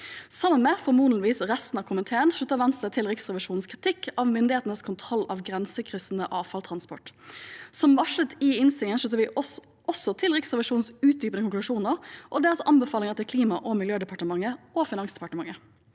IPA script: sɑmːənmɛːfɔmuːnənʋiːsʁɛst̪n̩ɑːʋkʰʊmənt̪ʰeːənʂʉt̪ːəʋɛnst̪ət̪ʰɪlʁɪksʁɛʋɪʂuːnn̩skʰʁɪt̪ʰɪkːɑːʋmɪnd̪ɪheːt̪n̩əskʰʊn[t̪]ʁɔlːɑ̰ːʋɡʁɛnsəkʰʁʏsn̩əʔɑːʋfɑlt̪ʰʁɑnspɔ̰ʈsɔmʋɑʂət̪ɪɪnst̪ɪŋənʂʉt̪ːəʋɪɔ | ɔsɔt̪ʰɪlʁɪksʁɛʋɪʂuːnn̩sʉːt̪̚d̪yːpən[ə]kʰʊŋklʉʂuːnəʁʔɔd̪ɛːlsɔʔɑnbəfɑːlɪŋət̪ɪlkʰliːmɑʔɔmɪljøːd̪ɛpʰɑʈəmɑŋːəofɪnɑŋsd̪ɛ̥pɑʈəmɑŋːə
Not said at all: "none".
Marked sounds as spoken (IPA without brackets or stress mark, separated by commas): t̪ʰ, ə